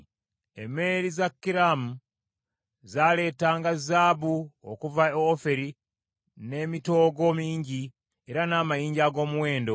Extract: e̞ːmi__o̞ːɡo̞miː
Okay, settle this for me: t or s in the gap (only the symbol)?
t